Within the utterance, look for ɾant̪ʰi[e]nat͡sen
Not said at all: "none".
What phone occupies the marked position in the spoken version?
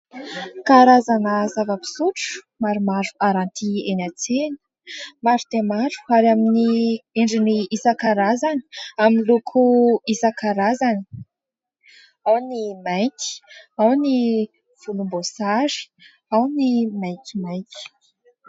e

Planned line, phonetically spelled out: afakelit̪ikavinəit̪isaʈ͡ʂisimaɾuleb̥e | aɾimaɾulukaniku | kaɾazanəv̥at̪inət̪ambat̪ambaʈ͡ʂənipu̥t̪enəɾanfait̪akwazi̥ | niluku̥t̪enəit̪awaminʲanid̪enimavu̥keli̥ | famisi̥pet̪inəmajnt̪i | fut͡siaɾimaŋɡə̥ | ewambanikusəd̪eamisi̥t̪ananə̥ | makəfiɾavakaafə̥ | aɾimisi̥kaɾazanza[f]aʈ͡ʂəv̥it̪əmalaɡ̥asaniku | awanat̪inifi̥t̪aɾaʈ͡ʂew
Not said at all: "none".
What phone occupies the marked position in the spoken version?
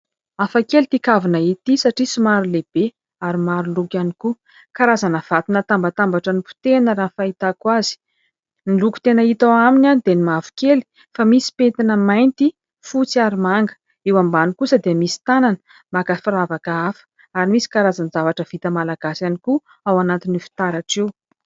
v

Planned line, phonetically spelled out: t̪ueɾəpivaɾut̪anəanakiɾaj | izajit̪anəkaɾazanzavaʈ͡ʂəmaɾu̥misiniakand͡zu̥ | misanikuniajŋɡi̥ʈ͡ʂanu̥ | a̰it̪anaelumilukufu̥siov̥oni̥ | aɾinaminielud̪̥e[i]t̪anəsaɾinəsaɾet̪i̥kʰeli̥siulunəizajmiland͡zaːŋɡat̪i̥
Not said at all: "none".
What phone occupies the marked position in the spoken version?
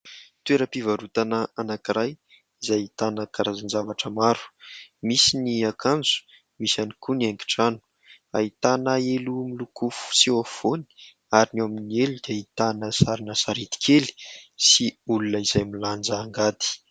i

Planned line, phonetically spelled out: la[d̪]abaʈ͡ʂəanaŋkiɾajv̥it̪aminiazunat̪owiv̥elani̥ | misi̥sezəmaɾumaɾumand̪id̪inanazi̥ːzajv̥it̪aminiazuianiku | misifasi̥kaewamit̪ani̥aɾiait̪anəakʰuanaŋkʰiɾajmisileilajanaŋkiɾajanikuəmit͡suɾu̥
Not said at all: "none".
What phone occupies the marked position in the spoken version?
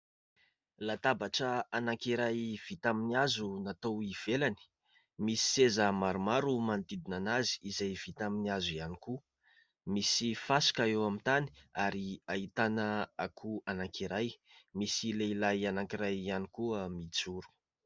t̪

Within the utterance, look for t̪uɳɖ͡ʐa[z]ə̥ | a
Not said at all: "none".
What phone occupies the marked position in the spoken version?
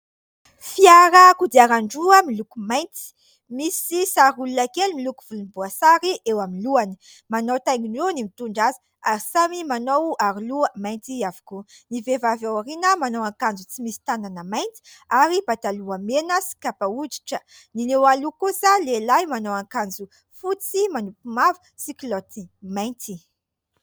z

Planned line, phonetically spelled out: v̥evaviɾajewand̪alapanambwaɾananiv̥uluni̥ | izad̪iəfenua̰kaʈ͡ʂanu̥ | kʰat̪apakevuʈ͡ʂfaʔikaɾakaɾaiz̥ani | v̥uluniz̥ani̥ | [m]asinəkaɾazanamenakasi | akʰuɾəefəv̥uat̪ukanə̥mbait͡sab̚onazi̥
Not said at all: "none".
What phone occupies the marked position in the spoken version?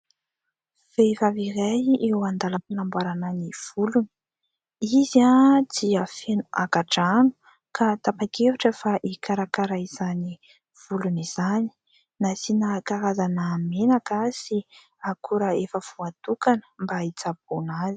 n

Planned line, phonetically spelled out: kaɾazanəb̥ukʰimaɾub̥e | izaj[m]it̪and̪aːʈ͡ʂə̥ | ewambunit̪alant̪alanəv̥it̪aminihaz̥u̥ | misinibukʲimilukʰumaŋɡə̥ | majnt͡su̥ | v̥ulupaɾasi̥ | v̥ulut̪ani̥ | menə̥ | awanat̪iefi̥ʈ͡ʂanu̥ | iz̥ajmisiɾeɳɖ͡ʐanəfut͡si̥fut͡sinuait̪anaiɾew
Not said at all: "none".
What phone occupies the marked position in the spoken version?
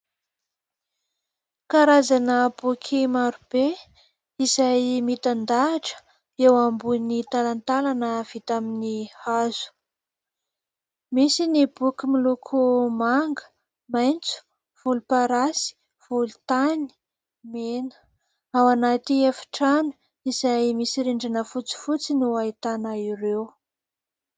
m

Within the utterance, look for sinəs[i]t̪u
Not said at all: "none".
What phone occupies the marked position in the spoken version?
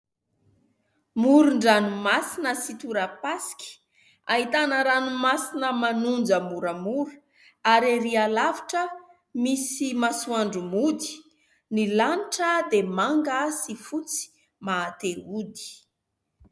i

